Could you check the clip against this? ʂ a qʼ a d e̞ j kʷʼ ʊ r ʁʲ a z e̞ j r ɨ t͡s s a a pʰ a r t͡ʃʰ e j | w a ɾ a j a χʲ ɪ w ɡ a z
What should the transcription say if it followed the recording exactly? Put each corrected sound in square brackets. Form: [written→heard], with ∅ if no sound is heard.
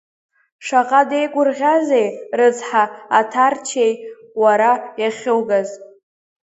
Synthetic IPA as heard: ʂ a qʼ a d e̞ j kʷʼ ʊ r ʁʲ a z e̞ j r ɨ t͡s [s→ħ] a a [pʰ→tʰ] a r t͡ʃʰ e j | w a ɾ a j a χʲ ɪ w ɡ a z